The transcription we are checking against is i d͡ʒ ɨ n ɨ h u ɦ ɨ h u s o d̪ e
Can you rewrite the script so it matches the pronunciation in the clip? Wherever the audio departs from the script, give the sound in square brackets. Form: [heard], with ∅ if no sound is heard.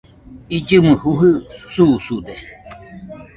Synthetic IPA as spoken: i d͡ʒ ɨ [m] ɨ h u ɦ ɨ [s] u s [u] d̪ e